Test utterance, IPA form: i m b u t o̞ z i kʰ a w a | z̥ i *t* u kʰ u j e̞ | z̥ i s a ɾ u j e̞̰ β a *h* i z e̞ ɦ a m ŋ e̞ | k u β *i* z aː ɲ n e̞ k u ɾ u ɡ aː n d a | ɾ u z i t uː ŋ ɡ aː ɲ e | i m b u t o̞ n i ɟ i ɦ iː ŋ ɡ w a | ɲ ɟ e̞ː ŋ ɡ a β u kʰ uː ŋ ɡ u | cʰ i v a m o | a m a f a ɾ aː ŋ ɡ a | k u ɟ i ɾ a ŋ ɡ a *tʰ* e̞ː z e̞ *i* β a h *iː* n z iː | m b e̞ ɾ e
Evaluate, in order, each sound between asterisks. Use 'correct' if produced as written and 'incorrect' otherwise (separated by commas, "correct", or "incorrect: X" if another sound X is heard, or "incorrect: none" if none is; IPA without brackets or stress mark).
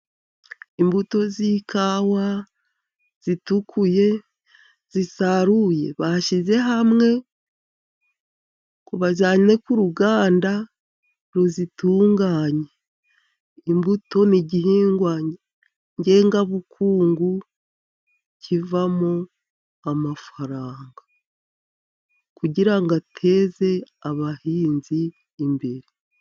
correct, incorrect: ʃ, incorrect: a, correct, incorrect: a, correct